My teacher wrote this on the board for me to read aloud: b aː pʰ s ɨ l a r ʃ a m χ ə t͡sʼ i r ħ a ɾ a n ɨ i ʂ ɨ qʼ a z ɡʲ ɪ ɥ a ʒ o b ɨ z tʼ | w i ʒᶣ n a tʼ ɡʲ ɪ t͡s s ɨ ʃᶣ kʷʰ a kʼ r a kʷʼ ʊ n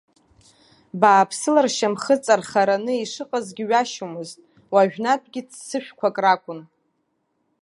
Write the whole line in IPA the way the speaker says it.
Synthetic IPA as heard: b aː pʰ s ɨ l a r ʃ a m χ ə t͡sʼ a r χ a ɾ a n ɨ i ʂ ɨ qʼ a z ɡʲ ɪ ɥ a ʃ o m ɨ z tʼ | w a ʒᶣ n a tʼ ɡʲ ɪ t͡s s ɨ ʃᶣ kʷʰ a kʼ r a kʷʼ ʊ n